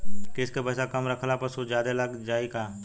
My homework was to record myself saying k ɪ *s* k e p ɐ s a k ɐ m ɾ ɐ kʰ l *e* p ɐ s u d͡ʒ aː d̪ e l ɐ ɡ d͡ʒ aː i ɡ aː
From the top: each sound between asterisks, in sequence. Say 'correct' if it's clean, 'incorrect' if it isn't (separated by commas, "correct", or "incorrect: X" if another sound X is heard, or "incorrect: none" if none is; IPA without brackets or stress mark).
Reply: correct, incorrect: a